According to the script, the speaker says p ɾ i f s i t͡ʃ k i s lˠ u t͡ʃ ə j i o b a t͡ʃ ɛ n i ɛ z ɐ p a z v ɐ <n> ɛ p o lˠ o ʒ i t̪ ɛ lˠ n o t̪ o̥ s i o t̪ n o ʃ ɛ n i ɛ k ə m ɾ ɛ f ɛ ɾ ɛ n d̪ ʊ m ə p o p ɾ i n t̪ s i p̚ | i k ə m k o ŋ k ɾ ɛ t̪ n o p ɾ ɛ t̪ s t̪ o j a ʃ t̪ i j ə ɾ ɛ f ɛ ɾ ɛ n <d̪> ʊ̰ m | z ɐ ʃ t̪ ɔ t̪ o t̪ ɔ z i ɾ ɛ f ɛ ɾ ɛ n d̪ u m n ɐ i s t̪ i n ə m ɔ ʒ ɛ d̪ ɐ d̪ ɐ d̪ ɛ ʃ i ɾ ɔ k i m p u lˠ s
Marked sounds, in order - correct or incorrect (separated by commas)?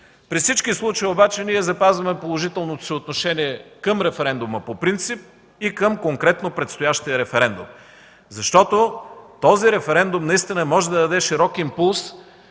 incorrect, correct